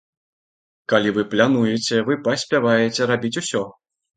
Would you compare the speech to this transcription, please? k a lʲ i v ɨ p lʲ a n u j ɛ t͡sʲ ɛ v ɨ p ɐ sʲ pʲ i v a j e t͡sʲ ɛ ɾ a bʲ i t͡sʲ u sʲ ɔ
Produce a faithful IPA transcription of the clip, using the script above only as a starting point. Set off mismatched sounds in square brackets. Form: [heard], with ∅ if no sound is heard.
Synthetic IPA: k a lʲ i v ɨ p lʲ a n u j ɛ t͡sʲ ɛ v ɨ p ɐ sʲ pʲ [a] v a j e t͡sʲ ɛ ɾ a bʲ i t͡sʲ u sʲ ɔ

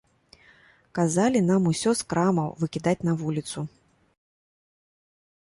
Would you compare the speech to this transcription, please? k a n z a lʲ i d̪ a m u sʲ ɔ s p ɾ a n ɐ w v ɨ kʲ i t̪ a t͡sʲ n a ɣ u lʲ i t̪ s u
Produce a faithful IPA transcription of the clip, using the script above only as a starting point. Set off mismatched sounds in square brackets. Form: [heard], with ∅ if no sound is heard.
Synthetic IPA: k a [∅] z a lʲ i [n̪] a m u sʲ ɔ s [k] ɾ a [m] ɐ w v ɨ kʲ i [d̪] a t͡sʲ n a [v] u lʲ i t̪ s u

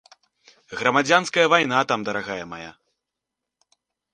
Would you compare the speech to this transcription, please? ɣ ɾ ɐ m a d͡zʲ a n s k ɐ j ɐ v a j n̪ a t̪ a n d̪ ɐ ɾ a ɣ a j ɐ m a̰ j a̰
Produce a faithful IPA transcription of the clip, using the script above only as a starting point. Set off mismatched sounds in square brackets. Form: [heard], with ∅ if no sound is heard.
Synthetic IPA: ɣ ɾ ɐ m a d͡zʲ a n s k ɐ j ɐ v a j n̪ a t̪ a [m] d̪ ɐ ɾ a ɣ a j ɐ m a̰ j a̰

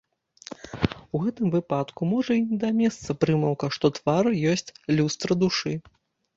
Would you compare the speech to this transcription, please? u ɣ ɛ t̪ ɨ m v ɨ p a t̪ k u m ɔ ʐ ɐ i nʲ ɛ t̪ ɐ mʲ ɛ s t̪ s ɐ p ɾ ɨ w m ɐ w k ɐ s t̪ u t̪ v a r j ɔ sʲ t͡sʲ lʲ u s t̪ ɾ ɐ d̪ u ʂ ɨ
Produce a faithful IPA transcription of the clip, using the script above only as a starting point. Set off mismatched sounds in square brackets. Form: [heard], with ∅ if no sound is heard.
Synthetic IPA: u ɣ ɛ t̪ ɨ m v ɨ p a t̪ k u m ɔ ʐ ɐ i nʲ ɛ [d̪] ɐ mʲ ɛ s t̪ s ɐ p ɾ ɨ [∅] m ɐ w k ɐ [ʂ] t̪ [ɔ] t̪ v a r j ɔ sʲ t͡sʲ lʲ u s t̪ ɾ ɐ d̪ u ʂ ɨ

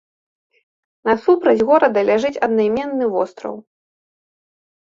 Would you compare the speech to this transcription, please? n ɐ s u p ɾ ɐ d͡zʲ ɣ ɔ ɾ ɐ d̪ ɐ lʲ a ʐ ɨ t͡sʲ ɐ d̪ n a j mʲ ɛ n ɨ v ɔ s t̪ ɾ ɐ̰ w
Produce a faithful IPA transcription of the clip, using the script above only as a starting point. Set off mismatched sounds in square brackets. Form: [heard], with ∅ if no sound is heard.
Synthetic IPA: n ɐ s u p ɾ ɐ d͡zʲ ɣ ɔ ɾ ɐ d̪ ɐ lʲ a ʐ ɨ t͡sʲ ɐ d̪ n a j mʲ ɛ [nː] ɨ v ɔ s t̪ ɾ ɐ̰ w

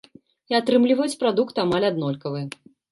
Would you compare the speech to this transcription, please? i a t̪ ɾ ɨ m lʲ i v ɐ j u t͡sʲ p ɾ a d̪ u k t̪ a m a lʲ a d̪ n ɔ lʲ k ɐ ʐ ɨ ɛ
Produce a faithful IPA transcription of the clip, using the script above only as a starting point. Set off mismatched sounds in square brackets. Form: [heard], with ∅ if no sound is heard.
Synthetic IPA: i a t̪ ɾ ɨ m lʲ i v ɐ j u t͡sʲ p ɾ a d̪ u k t̪ a m a lʲ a d̪ n ɔ lʲ k ɐ [v] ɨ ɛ

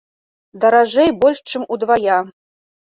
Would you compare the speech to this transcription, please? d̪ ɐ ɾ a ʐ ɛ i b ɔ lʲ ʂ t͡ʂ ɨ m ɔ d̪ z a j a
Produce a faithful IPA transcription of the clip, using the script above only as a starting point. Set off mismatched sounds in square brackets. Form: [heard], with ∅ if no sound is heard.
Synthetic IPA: d̪ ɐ ɾ a ʐ ɛ [j] b ɔ lʲ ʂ t͡ʂ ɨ m [u] d̪ [v] a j a

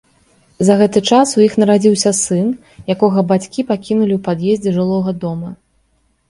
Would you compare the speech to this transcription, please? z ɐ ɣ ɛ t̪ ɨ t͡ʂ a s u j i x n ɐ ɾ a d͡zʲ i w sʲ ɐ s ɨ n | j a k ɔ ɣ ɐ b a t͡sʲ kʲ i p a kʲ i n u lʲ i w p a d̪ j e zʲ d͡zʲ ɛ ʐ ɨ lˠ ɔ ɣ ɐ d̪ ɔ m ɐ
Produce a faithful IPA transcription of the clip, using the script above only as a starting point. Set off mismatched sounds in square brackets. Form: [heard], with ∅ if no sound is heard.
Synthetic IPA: z ɐ ɣ ɛ t̪ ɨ t͡ʂ a s u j i x n ɐ ɾ a d͡zʲ i w sʲ ɐ s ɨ n | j a k ɔ ɣ ɐ b a t͡sʲ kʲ i p a kʲ i n u lʲ i w p a d̪ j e zʲ d͡zʲ ɛ ʐ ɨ lˠ ɔ ɣ ɐ d̪ ɔ m ɐ

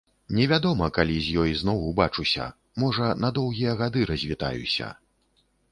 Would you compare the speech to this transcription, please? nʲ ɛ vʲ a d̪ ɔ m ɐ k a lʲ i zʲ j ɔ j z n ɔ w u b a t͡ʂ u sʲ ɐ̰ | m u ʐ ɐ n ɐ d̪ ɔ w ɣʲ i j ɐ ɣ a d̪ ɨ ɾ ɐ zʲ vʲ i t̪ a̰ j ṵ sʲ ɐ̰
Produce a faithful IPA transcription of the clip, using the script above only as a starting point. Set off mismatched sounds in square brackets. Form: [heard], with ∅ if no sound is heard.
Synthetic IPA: nʲ ɛ vʲ a d̪ ɔ m ɐ k a lʲ i zʲ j ɔ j z n ɔ w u b a t͡ʂ u sʲ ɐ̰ | m [ɔ] ʐ ɐ n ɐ d̪ ɔ w ɣʲ i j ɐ ɣ a d̪ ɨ ɾ ɐ zʲ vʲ i t̪ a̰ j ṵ sʲ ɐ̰

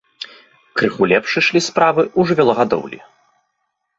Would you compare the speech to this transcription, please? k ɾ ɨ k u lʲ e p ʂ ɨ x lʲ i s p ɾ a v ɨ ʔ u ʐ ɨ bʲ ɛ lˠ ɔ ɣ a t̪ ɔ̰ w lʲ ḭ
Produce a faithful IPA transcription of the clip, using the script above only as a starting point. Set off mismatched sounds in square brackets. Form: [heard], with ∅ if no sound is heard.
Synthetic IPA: k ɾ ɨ [x] u lʲ [ɛ] p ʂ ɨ [ʂ] lʲ i s p ɾ a v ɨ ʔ u ʐ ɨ [vʲ] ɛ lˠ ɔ ɣ a [d̪] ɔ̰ w lʲ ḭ

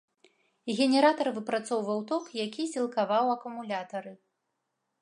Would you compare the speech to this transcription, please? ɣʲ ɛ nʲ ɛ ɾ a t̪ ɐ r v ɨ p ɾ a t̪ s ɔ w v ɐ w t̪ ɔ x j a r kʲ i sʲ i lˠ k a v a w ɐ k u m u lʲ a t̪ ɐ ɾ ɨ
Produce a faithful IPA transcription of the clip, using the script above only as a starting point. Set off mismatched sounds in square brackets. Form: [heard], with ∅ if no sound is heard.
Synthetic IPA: ɣʲ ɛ nʲ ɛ ɾ a t̪ ɐ r v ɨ p ɾ a t̪ s ɔ w v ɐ w t̪ ɔ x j a [∅] kʲ i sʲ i lˠ k a v a w ɐ k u m u lʲ a t̪ ɐ ɾ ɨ

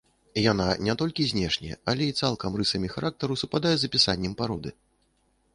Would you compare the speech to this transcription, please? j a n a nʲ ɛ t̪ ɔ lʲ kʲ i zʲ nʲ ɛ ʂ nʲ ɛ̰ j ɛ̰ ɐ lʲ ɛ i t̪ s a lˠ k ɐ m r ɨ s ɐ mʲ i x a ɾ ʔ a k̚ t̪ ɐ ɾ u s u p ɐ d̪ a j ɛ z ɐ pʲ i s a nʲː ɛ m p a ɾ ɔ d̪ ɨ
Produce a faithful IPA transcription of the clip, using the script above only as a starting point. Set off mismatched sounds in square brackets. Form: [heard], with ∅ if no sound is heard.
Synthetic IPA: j a n a nʲ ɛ t̪ ɔ lʲ kʲ i zʲ nʲ ɛ ʂ nʲ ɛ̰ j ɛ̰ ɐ lʲ ɛ i t̪ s a lˠ k ɐ m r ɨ s ɐ mʲ i x a ɾ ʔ a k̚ t̪ ɐ ɾ u s u p [a] d̪ a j ɛ z ɐ pʲ i s a nʲː ɛ m p a ɾ ɔ d̪ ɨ

